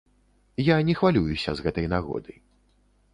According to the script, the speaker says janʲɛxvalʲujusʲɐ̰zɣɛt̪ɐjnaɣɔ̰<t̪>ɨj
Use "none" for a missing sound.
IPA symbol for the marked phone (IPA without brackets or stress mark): d̪